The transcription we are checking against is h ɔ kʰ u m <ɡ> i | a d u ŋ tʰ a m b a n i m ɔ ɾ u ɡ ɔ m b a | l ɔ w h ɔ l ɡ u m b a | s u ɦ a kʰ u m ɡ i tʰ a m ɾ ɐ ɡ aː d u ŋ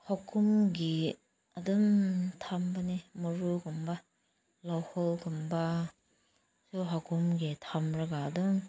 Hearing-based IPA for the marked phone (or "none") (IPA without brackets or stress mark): ɡ